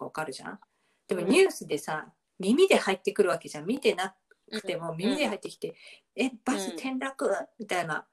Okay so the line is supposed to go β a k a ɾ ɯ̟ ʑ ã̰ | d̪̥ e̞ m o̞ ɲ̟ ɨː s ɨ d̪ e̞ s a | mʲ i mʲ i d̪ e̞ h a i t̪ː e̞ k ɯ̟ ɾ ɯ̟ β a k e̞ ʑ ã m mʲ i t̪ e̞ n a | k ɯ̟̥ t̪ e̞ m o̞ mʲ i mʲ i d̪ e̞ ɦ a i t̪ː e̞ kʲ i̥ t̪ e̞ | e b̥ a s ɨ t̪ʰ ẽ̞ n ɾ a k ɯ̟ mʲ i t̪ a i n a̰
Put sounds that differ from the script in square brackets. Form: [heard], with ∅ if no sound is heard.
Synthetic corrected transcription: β a k a ɾ ɯ̟ ʑ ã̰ | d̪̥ e̞ m o̞ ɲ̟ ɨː s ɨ d̪ e̞ s a | mʲ i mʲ i d̪ e̞ h a i t̪ː e̞ k ɯ̟ ɾ ɯ̟ β a k e̞ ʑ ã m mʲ i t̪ e̞ n a | k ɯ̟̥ t̪ e̞ m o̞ mʲ i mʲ i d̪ e̞ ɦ a i t̪ː e̞ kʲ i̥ t̪ e̞ | e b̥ a s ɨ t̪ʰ ẽ̞ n ɾ a k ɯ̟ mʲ i t̪ a i n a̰